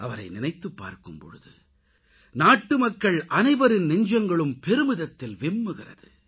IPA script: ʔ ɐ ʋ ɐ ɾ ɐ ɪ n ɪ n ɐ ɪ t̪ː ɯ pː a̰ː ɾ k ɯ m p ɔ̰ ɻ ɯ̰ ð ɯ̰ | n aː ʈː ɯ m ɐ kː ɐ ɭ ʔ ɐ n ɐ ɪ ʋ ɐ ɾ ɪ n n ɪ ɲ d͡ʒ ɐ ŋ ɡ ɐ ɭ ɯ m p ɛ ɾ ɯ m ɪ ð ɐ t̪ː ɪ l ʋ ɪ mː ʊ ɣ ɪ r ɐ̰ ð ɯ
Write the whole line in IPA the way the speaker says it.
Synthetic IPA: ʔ ɐ ʋ ɐ ɾ ɐ ɪ n ɪ n ɐ ɪ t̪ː ɯ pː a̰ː ɾ k ɯ m p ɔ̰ ɻ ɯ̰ ð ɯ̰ | n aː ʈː ɯ m ɐ kː ɐ ɭ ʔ ɐ n ɐ ɪ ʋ ɐ ɾ ɪ n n ɪ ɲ d͡ʒ ɐ ŋ ɡ ɐ ɭ ɯ m p ɛ ɾ ɯ m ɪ ð ɐ t̪ː ɪ l ʋ ɪ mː ɯ ɣ ɪ r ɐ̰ ð ɯ